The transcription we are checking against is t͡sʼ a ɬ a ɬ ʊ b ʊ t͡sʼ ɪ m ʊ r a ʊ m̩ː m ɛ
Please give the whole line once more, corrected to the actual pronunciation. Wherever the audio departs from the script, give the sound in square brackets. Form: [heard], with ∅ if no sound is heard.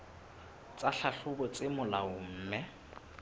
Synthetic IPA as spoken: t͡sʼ a ɬ a ɬ ʊ b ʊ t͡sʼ ɪ m ʊ [l] a ʊ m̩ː m ɛ